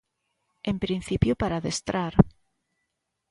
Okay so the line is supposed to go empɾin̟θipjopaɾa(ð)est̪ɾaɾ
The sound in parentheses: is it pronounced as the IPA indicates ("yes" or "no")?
yes